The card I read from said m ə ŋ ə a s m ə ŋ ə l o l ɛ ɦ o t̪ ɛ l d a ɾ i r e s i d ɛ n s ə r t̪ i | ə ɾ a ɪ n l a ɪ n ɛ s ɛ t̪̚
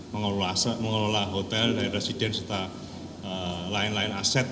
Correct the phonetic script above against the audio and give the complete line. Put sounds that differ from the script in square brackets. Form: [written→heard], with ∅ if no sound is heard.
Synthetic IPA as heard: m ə ŋ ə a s m ə ŋ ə l o l [ɛ→a] ɦ o t̪ ɛ l d a ɾ i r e s i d ɛ n s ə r t̪ [i→a] | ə [ɾ→l] a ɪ n l a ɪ n [ɛ→a] s ɛ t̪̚